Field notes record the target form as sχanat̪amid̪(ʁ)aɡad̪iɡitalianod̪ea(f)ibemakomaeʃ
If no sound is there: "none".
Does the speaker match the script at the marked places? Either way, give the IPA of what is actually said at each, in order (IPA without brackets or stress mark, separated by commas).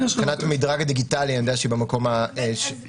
ʁ, ʃ